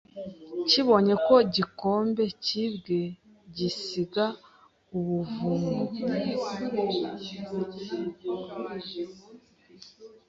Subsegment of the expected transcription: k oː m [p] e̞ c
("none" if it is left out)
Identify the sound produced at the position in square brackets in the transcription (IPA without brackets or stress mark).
b